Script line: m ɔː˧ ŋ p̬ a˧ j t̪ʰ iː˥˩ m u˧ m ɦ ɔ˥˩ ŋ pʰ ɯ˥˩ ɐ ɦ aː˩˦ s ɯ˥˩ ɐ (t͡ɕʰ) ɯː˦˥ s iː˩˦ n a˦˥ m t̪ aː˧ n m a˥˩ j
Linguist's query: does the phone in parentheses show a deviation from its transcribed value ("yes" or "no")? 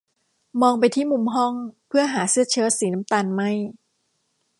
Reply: no